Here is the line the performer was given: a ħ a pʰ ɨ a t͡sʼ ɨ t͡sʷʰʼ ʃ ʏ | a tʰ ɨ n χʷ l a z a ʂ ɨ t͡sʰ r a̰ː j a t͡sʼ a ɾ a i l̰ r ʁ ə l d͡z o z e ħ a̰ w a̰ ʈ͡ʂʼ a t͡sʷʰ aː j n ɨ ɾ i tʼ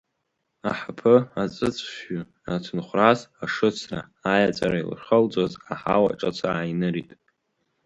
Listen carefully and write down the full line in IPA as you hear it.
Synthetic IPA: a ħ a pʰ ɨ a t͡sʼ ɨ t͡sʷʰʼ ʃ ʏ | a tʰ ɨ n χʷ r a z a ʂ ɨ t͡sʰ r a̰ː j a t͡sʼ a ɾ a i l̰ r χ ə l d͡z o z a ħ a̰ w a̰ ʈ͡ʂʼ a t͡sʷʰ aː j n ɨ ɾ i tʼ